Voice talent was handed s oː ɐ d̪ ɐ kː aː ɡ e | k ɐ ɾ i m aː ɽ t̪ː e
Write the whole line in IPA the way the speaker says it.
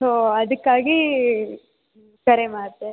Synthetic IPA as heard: s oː ɐ d̪ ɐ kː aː ɡ i | k ɐ ɾ e m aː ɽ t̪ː e